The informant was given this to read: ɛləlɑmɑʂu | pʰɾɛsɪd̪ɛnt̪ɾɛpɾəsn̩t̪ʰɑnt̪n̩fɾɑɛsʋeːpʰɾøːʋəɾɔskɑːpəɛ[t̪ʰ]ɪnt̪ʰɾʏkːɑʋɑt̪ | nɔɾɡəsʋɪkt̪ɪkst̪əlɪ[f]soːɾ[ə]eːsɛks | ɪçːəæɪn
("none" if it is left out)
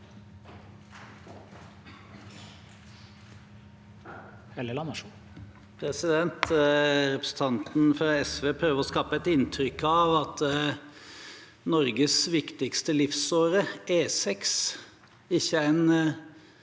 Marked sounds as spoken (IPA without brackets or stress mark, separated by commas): t̪, f, ə